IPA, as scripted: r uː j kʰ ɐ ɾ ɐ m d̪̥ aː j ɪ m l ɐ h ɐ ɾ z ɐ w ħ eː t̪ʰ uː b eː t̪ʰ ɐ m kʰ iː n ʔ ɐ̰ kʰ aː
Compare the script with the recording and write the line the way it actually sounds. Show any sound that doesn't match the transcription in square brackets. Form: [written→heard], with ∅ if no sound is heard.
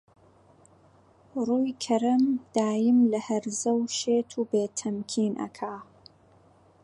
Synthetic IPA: r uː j kʰ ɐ ɾ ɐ m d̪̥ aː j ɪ m l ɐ h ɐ ɾ z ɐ w [ħ→ʃ] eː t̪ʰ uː b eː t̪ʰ ɐ m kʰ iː n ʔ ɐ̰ kʰ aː